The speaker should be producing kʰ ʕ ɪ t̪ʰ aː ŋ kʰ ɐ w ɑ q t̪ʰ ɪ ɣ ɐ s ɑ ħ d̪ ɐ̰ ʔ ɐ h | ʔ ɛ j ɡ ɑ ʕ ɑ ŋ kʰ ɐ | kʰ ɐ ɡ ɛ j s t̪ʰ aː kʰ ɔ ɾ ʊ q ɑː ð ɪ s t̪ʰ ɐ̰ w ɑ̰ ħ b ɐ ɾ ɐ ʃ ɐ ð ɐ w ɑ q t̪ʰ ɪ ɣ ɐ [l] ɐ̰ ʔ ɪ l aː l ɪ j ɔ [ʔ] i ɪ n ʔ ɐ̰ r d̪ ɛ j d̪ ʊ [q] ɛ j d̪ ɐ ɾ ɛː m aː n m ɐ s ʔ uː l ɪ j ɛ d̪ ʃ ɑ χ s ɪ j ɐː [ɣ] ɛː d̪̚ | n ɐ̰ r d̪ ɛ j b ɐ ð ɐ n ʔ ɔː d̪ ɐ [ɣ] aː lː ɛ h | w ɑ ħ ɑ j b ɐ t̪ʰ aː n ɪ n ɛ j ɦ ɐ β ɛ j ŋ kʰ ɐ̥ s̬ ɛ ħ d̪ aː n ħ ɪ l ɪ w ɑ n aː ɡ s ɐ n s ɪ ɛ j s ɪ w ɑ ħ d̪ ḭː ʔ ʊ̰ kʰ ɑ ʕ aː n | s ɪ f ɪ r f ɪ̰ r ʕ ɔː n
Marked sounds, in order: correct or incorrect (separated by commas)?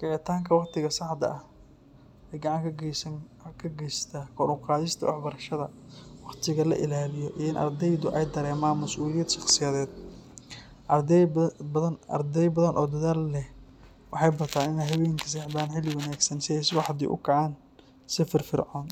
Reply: correct, correct, incorrect, incorrect, incorrect